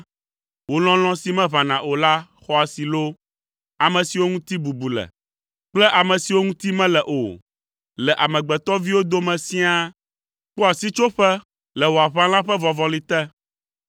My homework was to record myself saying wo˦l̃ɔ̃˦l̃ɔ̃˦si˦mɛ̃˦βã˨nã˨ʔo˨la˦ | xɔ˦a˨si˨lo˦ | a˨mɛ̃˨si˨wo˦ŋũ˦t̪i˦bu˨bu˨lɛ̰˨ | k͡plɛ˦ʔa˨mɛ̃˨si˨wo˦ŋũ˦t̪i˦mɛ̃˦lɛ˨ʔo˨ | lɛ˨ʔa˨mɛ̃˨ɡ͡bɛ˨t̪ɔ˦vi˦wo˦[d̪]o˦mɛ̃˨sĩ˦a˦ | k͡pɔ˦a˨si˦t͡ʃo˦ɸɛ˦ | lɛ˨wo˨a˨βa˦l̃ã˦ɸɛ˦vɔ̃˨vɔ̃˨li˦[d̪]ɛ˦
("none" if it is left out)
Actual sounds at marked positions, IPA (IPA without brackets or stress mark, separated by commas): d̪, t̪